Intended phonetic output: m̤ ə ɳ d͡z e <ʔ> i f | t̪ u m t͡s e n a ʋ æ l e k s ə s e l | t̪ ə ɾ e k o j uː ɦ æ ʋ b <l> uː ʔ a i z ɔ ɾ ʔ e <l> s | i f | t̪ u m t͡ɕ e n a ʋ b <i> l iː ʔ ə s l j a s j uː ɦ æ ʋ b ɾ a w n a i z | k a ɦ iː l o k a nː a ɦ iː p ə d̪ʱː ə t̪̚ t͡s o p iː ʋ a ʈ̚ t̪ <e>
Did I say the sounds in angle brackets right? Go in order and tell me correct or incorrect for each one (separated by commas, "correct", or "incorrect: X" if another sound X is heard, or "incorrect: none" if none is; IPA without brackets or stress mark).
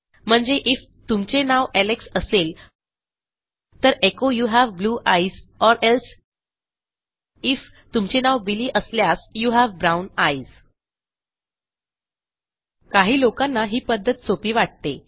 correct, correct, correct, correct, correct